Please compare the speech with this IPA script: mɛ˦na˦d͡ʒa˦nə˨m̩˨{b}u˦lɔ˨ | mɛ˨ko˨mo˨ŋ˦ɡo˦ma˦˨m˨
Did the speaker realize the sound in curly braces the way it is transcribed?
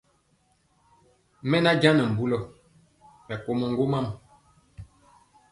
yes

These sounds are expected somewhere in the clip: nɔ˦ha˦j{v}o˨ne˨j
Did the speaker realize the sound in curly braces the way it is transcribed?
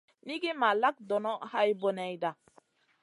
no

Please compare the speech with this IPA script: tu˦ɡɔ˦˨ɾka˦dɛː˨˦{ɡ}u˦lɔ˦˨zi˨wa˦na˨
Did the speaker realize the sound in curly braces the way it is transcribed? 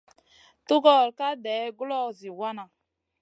yes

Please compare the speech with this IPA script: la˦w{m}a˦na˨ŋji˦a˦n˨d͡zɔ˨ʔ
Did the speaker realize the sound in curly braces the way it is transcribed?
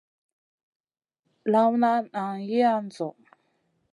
no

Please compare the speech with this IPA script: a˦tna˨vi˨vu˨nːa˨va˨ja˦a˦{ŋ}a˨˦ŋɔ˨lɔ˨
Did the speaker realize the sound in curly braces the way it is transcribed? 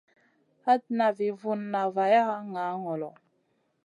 yes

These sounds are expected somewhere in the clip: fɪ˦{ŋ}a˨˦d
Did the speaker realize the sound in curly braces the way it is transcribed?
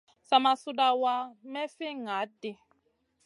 yes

